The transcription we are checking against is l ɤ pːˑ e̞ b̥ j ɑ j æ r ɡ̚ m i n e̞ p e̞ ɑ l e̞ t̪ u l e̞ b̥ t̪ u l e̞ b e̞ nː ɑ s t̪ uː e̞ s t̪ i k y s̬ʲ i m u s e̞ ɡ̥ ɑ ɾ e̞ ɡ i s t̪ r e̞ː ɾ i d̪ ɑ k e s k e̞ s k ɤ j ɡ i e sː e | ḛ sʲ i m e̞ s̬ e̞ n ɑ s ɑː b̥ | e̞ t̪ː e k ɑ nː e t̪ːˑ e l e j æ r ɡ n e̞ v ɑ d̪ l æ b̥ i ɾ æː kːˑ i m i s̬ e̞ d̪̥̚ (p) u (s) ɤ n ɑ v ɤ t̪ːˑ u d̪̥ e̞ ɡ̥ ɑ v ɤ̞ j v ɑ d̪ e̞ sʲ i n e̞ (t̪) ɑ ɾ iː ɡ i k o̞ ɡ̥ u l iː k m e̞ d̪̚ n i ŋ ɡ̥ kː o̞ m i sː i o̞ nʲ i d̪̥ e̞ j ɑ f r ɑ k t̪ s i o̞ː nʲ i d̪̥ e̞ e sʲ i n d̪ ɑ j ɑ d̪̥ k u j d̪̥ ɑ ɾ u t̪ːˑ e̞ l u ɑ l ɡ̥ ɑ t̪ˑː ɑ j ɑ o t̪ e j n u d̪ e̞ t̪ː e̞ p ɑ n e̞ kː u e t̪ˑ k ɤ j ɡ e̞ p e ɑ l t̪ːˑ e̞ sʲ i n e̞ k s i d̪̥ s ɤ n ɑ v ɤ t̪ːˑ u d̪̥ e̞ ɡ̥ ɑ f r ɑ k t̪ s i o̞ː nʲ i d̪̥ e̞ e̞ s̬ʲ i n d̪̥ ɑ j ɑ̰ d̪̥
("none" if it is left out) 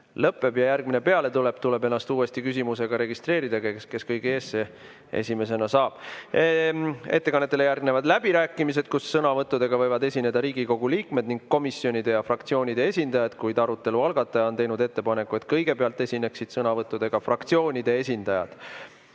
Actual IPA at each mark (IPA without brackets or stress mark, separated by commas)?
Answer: k, sː, d̪